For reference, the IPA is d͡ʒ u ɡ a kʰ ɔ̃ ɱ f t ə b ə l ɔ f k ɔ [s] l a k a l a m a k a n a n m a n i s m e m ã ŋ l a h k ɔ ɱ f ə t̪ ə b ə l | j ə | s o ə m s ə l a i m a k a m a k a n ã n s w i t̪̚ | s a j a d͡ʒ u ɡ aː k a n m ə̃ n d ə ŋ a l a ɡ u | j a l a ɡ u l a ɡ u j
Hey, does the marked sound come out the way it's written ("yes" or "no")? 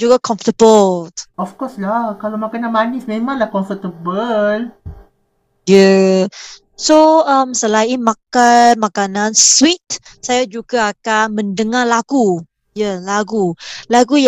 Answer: yes